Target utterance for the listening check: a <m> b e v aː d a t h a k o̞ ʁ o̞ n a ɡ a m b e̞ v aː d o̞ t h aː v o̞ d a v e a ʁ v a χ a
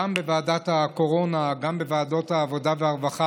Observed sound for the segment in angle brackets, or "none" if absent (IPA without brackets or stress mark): m